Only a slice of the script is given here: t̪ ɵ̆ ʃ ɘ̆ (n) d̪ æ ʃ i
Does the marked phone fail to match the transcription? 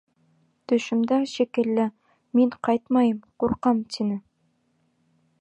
yes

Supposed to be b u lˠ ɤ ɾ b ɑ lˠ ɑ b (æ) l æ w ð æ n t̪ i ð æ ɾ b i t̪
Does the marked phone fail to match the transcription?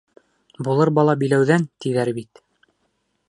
yes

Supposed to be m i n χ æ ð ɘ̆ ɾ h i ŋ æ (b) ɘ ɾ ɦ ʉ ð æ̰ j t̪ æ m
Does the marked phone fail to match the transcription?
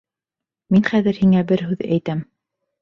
no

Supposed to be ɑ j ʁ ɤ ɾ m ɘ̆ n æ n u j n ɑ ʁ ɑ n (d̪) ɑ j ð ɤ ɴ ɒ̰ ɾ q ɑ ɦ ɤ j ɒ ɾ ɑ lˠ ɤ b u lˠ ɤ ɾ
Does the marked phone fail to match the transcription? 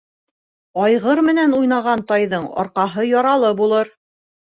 yes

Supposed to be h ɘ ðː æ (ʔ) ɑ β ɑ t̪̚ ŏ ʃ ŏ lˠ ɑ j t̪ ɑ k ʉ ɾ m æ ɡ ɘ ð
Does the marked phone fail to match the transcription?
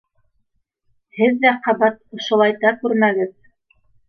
yes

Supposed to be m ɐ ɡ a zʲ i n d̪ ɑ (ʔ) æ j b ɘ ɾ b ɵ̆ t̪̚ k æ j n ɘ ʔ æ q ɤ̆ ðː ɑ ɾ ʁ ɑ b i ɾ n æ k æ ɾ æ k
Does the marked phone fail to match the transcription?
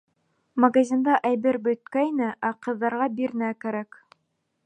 no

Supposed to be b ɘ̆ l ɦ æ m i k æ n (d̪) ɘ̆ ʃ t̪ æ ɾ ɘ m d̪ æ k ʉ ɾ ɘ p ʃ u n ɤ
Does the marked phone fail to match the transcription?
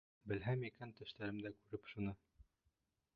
yes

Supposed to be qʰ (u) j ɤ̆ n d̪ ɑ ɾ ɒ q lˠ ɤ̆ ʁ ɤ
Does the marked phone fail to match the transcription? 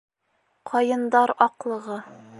yes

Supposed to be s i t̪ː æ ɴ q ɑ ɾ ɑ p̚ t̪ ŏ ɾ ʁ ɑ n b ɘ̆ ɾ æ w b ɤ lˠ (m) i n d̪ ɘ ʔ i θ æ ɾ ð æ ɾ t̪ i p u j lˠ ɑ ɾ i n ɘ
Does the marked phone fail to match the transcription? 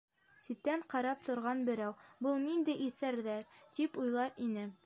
yes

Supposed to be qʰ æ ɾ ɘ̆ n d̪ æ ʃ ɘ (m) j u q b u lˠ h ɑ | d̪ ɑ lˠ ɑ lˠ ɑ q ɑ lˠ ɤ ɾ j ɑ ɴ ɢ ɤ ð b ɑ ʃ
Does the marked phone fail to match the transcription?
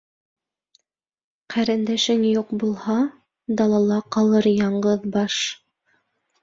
yes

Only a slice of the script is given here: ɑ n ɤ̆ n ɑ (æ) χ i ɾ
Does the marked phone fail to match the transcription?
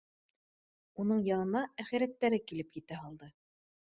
no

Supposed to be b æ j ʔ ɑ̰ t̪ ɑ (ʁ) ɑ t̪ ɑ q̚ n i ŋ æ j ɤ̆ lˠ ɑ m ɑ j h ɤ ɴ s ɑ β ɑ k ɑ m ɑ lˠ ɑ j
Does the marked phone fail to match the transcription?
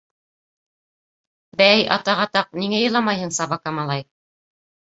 no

